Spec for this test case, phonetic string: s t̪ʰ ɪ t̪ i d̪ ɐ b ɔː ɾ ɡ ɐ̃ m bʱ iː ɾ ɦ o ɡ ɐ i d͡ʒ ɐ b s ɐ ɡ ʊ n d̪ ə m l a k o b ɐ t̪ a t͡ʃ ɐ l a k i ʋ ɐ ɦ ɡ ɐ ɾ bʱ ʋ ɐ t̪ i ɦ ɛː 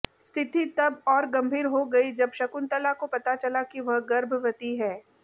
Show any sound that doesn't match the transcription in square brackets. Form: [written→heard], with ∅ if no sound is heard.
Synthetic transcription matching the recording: s t̪ʰ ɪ t̪ i [d̪→t̪] ɐ b ɔː ɾ ɡ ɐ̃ m bʱ iː ɾ ɦ o ɡ ɐ i d͡ʒ ɐ b [s→ʃ] ɐ [ɡ→k] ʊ n [d̪→t̪] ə [m→∅] l a k o [b→p] ɐ t̪ a t͡ʃ ɐ l a k i ʋ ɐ ɦ ɡ ɐ ɾ bʱ ʋ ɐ t̪ i ɦ ɛː